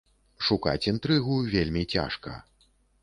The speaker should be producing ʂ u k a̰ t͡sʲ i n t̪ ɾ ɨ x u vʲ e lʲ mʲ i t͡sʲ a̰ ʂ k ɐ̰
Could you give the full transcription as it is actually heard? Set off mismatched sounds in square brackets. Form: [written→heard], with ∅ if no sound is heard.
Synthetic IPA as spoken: ʂ u k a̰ t͡sʲ i n t̪ ɾ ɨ [x→ɣ] u vʲ e lʲ mʲ i t͡sʲ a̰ ʂ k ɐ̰